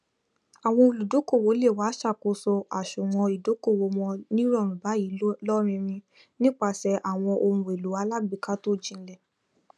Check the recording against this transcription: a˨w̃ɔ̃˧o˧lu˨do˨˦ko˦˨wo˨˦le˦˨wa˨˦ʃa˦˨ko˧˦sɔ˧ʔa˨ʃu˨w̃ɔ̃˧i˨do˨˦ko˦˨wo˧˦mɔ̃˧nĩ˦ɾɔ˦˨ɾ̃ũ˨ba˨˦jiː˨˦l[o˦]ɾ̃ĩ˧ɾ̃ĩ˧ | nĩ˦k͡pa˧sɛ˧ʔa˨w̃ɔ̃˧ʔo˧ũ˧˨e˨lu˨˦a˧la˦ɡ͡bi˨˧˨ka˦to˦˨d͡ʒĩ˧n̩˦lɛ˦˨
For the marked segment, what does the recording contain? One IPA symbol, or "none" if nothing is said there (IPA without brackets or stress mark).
ɔ˦